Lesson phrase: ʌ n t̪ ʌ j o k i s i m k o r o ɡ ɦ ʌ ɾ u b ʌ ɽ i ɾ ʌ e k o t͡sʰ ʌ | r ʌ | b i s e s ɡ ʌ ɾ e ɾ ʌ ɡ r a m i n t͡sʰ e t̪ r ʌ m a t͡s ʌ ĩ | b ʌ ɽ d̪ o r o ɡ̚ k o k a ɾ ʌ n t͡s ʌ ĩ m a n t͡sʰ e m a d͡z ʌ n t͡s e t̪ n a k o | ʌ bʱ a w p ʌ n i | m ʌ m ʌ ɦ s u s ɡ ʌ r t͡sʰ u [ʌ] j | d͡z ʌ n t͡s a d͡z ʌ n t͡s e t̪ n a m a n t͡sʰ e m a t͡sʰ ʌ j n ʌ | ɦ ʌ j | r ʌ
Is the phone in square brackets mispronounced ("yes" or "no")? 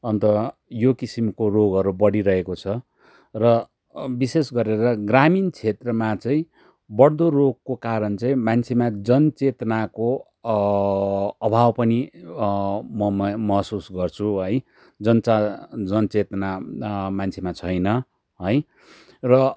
no